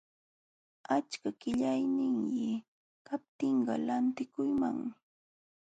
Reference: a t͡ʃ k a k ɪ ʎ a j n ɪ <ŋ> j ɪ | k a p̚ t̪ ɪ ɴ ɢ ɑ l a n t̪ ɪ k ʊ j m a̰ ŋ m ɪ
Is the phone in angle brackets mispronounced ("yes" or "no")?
no